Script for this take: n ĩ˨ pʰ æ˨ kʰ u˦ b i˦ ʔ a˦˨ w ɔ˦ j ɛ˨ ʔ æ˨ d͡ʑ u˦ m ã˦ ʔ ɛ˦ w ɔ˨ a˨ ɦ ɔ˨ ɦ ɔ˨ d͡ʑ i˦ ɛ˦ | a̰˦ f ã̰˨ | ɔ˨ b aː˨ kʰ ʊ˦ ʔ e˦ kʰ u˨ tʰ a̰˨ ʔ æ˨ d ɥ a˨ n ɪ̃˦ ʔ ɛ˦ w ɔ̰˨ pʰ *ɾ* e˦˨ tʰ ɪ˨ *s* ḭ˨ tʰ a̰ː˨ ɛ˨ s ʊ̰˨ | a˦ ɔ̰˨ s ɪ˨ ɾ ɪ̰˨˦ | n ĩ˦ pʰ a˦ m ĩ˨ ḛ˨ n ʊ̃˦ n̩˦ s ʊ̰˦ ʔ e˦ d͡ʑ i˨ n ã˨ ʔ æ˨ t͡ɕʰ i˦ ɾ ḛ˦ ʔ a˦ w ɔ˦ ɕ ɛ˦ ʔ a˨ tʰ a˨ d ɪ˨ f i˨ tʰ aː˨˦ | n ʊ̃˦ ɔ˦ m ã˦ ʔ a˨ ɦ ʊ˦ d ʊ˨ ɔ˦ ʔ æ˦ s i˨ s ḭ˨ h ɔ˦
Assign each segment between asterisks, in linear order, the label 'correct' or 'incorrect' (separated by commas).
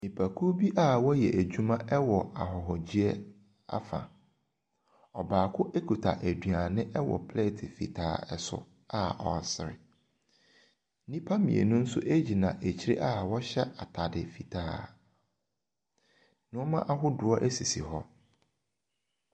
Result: incorrect, incorrect